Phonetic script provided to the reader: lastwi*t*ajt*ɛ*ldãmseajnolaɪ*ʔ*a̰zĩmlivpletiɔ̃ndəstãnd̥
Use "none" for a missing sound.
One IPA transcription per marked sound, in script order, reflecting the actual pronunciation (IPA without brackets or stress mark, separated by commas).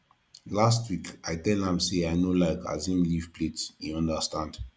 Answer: k, ɛ, k